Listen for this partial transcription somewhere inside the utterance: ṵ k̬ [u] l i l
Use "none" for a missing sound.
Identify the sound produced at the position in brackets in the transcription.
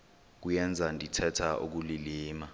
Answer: u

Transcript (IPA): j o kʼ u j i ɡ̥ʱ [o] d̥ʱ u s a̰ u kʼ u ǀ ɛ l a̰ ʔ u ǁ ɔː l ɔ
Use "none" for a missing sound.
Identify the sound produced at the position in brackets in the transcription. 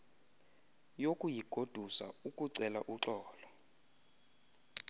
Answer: o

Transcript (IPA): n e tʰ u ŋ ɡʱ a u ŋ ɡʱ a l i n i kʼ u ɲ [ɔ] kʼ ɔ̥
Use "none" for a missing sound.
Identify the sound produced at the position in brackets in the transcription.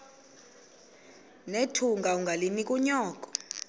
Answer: ɔː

